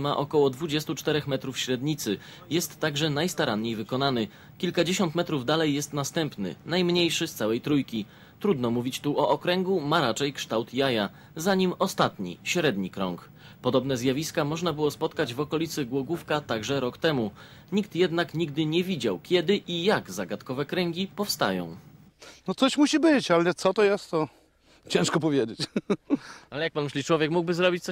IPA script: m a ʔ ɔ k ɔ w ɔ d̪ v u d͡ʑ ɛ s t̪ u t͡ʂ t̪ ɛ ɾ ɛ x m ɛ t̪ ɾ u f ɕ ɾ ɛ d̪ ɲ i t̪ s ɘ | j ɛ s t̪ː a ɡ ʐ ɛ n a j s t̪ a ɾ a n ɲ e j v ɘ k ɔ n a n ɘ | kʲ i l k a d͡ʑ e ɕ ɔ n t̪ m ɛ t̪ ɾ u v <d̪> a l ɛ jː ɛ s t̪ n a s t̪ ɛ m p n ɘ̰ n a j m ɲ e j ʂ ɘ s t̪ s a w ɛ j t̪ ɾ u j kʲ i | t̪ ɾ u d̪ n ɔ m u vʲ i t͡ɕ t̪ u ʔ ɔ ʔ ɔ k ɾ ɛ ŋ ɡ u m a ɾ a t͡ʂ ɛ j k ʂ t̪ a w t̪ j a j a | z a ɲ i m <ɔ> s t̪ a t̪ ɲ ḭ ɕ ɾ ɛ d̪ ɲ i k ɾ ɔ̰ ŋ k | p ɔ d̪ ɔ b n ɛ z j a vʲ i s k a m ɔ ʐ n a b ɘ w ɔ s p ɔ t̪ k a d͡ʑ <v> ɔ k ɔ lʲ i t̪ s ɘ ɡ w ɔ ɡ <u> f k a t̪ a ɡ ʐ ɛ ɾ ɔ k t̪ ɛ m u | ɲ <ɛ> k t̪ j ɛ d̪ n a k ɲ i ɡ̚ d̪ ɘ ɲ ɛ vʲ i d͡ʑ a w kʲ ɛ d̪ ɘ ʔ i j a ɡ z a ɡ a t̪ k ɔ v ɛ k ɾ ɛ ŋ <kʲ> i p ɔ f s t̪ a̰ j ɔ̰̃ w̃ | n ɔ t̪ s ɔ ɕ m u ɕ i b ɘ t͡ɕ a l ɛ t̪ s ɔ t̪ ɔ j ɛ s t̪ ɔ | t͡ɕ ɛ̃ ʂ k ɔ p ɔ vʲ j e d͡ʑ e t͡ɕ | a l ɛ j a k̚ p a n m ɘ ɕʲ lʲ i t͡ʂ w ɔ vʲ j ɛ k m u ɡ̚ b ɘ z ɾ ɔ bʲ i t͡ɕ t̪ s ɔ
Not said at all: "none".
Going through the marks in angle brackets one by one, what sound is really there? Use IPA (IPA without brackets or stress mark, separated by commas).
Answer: d̪, ɔ, v, u, i, ɡʲ